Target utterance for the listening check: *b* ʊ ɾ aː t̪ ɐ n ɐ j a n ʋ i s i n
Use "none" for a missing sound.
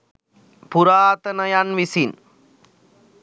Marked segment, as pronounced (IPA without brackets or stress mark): p